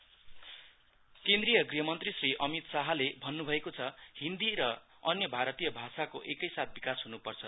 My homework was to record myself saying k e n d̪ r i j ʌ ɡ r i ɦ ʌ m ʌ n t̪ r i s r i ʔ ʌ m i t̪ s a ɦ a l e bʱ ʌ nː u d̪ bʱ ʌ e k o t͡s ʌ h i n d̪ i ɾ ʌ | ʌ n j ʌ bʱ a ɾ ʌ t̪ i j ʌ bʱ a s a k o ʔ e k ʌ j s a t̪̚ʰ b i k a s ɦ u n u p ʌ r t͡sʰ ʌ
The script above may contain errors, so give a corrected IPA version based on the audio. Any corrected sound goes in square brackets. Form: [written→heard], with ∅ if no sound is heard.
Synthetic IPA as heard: k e n d̪ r i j ʌ ɡ r i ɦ ʌ m ʌ n t̪ r i s r i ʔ ʌ m i t̪ s a ɦ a l e bʱ ʌ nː u [d̪→∅] bʱ ʌ e k o [t͡s→t͡sʰ] ʌ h i n d̪ i ɾ ʌ | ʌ n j ʌ bʱ a ɾ ʌ t̪ i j ʌ bʱ a s a k o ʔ e k ʌ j s a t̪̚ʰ b i k a s ɦ u n u p ʌ r t͡sʰ ʌ

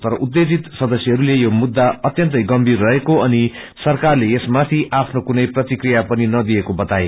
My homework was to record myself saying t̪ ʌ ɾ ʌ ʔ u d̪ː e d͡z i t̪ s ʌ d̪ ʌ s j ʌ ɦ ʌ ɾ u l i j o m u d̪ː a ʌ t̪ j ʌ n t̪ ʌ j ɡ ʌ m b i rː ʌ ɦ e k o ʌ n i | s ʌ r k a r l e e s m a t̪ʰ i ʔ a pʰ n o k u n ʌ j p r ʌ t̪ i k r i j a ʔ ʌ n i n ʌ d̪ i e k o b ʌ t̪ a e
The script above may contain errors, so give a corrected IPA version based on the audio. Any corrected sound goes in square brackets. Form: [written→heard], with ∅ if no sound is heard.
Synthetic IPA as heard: t̪ ʌ ɾ ʌ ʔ u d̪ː e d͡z i t̪ s ʌ d̪ ʌ s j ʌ ɦ ʌ ɾ u l [i→e] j o m u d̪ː a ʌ t̪ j ʌ n t̪ ʌ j ɡ ʌ m b i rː ʌ ɦ e k o ʌ n i | s ʌ r k a r l e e s m a t̪ʰ i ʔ a pʰ n o k u n ʌ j p r ʌ t̪ i k r i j a [ʔ→p] ʌ n i n ʌ d̪ i e k o b ʌ t̪ a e

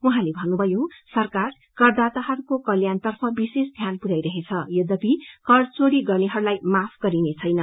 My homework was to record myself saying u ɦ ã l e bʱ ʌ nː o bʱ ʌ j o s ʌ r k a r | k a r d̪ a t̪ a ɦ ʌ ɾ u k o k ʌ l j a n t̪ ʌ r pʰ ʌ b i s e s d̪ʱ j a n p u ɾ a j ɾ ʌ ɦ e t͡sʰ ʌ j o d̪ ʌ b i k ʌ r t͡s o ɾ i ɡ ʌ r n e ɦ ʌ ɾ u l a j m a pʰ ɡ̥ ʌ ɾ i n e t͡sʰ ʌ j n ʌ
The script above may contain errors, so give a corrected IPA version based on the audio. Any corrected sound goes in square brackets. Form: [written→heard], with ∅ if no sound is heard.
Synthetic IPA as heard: u ɦ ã l e bʱ ʌ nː [o→u] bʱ ʌ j o s ʌ r k a r | k [a→ʌ] r d̪ a t̪ a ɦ ʌ ɾ u k o k ʌ l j a n t̪ ʌ r pʰ ʌ b i s e s d̪ʱ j a n p u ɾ a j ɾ ʌ ɦ e t͡sʰ ʌ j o d̪ ʌ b i k ʌ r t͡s o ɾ i ɡ ʌ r n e ɦ ʌ ɾ u l a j m a pʰ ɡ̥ ʌ ɾ i n e t͡sʰ ʌ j n ʌ

